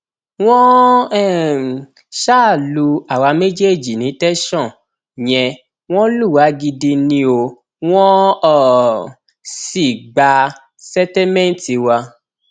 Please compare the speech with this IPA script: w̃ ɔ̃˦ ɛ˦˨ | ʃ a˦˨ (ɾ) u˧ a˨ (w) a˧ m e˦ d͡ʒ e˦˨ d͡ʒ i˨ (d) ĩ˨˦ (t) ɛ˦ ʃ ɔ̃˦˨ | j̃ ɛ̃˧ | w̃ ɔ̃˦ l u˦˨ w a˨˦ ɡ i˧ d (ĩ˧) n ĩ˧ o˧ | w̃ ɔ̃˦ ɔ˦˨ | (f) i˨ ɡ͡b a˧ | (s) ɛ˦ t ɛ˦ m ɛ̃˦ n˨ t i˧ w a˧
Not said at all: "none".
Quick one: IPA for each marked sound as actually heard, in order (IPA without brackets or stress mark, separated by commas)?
l, w, n, t, i˧, s, s